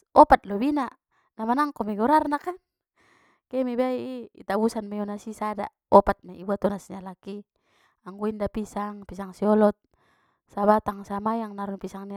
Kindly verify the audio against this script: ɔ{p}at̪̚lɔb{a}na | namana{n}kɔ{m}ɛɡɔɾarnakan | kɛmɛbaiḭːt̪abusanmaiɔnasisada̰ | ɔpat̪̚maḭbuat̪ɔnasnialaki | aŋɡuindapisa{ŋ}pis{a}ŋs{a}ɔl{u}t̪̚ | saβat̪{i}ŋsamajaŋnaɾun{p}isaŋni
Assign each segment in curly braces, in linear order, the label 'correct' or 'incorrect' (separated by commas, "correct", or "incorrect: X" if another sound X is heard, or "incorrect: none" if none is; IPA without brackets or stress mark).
correct, incorrect: i, incorrect: ŋ, correct, correct, correct, incorrect: i, incorrect: ɔ, incorrect: a, correct